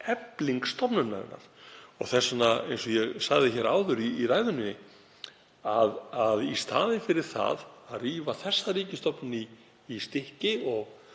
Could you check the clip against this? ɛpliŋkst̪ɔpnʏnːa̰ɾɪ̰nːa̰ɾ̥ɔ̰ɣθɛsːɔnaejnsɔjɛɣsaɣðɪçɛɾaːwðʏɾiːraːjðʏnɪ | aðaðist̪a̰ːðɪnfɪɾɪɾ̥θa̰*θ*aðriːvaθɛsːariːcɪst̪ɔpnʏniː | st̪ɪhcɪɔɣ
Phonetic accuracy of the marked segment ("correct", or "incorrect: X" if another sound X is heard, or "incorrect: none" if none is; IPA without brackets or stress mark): incorrect: ð